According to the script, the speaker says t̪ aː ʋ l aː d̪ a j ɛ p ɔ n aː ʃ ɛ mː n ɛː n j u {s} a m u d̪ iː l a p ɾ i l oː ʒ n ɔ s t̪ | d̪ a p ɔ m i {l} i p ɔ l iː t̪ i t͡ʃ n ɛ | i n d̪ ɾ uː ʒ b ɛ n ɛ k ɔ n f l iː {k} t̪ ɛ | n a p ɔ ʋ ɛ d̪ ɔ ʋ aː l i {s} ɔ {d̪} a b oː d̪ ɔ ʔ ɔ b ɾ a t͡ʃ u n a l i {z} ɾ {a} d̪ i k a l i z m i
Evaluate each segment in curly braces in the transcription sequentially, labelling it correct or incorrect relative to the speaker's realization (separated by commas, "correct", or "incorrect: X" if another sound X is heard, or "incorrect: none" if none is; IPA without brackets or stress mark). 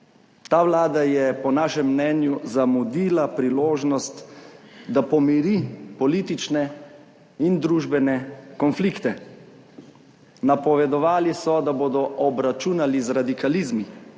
incorrect: z, incorrect: ɾ, correct, correct, correct, correct, correct